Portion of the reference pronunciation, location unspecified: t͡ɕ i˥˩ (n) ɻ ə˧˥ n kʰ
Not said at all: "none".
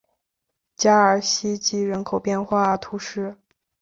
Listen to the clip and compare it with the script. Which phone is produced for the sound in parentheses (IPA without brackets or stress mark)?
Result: none